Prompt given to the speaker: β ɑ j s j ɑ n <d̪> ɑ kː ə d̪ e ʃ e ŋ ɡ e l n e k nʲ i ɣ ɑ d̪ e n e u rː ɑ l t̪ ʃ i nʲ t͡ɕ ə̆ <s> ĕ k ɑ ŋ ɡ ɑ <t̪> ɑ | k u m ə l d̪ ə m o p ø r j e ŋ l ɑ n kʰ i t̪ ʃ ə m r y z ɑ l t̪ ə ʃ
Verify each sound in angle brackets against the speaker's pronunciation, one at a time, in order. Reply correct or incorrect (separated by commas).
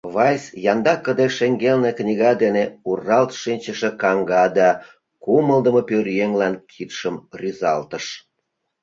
correct, incorrect, incorrect